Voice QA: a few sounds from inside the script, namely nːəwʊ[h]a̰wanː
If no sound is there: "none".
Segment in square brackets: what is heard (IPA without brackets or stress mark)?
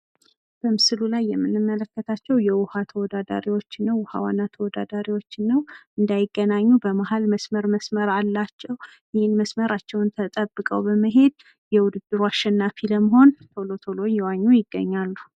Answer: h